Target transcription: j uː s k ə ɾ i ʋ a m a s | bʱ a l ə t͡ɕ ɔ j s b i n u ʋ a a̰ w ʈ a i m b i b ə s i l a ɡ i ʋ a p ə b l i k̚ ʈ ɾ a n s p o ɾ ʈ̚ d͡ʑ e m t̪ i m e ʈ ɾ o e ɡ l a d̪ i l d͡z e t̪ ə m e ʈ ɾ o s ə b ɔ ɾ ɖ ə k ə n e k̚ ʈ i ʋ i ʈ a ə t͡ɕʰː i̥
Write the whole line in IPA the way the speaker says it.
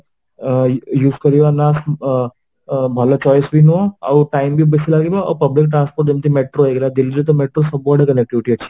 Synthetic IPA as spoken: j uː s k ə ɾ i ʋ a n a s | bʱ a l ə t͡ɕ ɔ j s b i n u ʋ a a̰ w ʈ a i m b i b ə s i l a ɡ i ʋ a p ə b l i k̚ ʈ ɾ a n s p o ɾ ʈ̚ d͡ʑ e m t̪ i m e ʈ ɾ o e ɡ l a d̪ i l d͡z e t̪ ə m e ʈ ɾ o s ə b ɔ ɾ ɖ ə k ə n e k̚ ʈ i ʋ i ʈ i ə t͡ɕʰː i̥